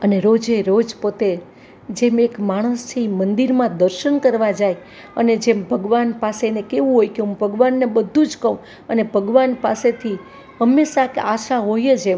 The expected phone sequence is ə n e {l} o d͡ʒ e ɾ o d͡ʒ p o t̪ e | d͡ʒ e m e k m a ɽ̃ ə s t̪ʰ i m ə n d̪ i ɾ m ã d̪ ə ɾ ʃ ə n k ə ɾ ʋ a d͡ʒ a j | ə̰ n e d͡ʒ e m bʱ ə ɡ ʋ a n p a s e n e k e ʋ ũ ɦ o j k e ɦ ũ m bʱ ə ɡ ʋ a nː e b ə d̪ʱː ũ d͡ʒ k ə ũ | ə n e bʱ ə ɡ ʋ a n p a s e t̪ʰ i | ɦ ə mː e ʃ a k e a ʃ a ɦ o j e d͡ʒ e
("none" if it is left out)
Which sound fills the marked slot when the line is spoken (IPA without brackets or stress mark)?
ɾ